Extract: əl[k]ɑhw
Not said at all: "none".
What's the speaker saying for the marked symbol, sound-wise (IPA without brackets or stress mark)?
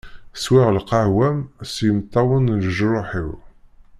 q